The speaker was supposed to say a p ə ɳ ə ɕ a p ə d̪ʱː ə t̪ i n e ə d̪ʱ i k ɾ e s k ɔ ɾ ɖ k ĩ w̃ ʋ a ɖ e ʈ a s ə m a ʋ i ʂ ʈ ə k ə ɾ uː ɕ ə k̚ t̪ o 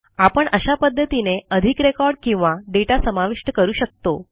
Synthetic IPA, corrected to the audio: a p ə ɳ ə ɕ a p ə d̪ʱː ə t̪ i n e ə d̪ʱ i k ɾ e k ɔ ɾ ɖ k ĩ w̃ ʋ a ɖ e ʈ a s ə m a ʋ i ʂ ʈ ə k ə ɾ uː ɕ ə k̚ t̪ o